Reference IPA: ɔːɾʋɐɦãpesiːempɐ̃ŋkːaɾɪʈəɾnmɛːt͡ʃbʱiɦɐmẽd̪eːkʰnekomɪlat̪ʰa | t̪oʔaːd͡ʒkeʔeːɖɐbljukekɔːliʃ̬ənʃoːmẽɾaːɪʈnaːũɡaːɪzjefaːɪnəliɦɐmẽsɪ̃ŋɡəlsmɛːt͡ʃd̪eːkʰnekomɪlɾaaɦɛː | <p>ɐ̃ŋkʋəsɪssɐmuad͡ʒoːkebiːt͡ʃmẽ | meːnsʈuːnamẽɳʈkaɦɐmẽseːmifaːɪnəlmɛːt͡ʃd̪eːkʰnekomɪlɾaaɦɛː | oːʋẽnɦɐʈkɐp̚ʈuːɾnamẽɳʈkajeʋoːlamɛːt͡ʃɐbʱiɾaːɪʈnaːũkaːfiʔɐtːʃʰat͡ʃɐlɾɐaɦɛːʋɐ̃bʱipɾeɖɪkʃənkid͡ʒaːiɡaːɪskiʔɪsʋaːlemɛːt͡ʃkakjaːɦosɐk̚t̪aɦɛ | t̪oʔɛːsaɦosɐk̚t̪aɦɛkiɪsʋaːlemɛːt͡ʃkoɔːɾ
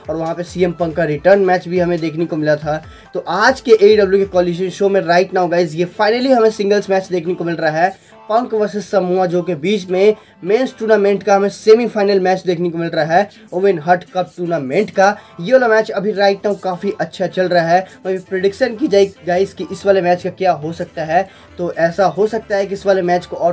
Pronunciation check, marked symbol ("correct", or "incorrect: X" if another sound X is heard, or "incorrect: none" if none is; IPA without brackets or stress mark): correct